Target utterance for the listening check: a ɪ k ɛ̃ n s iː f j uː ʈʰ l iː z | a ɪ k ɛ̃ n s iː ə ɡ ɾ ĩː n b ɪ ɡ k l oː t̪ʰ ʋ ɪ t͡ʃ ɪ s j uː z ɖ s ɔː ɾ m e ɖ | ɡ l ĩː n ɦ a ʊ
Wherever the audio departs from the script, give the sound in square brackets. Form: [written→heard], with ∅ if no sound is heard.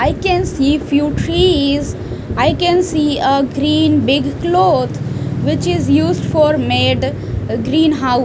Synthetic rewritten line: a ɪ k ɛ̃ n s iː f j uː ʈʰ [l→ɾ] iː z | a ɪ k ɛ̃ n s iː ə ɡ ɾ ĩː n b ɪ ɡ k l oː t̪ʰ ʋ ɪ t͡ʃ ɪ [s→z] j uː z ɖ [s→f] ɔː ɾ m e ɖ | ɡ [l→ɾ] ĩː n ɦ a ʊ